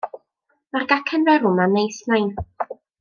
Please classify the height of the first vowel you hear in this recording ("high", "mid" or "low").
low